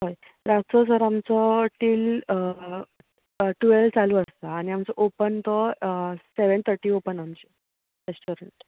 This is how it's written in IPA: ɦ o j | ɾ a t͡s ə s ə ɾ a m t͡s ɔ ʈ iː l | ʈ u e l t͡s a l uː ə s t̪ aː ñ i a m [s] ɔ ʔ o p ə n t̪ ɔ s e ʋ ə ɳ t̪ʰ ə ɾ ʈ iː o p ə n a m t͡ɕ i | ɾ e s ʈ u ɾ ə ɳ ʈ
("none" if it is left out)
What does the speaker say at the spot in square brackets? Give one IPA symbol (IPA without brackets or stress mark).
t͡s